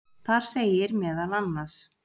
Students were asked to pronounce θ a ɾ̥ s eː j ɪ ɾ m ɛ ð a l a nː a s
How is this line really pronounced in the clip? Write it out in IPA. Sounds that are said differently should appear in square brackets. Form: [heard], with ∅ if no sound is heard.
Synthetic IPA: θ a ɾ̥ s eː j ɪ ɾ m [ɛː] ð a l a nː a s